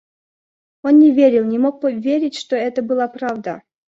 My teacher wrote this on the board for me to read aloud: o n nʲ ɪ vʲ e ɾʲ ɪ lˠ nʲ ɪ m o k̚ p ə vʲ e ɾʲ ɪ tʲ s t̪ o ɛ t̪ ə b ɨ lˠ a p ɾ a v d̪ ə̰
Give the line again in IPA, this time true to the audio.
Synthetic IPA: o n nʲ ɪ vʲ e ɾʲ ɪ lˠ nʲ ɪ m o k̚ p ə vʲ e ɾʲ ɪ tʲ ʂ t̪ o ɛ t̪ ə b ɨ lˠ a p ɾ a v d̪ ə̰